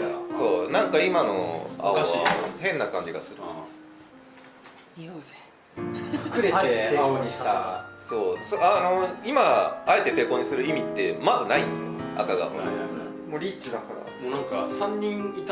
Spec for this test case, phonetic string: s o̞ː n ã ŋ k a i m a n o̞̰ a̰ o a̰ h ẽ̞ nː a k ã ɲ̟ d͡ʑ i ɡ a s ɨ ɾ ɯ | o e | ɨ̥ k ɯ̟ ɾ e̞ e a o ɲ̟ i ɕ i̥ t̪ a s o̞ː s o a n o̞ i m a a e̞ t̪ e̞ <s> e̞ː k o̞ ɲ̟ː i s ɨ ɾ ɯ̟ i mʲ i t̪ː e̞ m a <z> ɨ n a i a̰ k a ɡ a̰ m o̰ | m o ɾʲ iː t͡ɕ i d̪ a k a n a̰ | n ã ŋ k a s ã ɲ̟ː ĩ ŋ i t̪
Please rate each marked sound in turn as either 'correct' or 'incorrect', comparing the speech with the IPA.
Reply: correct, correct

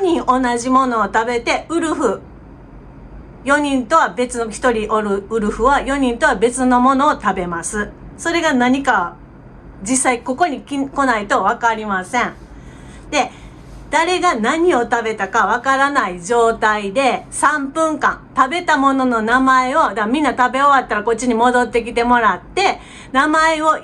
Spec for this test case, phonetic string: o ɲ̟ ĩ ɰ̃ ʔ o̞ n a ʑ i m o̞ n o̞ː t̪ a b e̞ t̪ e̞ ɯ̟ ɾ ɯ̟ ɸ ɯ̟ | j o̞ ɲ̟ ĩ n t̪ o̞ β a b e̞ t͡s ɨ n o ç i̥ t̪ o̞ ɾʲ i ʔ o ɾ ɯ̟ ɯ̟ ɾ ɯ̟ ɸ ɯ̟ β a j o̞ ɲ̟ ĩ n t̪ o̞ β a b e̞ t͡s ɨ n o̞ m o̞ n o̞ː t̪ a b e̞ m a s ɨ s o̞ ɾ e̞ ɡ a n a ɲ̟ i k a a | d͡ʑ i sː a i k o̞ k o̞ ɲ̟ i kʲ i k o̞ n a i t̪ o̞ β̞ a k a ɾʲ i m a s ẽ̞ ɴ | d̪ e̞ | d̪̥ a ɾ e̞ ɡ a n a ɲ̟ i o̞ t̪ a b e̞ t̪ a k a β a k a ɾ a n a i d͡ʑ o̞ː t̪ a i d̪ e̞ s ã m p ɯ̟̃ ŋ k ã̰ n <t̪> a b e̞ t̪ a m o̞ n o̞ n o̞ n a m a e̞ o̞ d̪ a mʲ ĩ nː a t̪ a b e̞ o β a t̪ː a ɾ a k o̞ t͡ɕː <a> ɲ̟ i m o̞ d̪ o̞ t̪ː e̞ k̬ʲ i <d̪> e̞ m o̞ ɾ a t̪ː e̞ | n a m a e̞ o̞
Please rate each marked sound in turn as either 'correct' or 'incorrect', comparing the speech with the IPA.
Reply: correct, incorrect: i, incorrect: t̪

